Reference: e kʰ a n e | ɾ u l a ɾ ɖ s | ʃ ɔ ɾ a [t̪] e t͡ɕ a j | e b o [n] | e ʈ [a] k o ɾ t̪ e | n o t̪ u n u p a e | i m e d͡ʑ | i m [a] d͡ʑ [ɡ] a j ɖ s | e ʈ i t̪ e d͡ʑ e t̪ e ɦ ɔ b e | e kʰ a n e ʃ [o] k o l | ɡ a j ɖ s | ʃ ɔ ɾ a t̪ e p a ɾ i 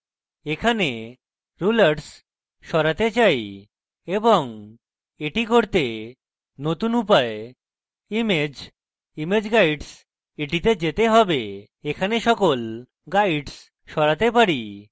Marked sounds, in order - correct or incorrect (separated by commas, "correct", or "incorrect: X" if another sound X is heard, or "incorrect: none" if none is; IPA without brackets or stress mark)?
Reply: correct, incorrect: ŋ, incorrect: i, incorrect: e, correct, incorrect: ɔ